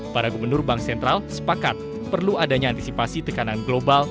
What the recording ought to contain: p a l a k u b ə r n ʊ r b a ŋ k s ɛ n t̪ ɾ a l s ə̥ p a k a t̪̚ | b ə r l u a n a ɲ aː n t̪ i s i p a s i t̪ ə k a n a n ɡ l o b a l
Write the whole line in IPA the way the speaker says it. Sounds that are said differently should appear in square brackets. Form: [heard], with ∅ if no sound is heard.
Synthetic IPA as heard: p a [ɾ] a [ɡ] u b ə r n ʊ r b a ŋ k s ɛ n t̪ ɾ a l s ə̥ p a k a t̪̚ | [p] ə r l u a [d] a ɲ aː n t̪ i s i p a s i t̪ ə k a n a n ɡ l o b a l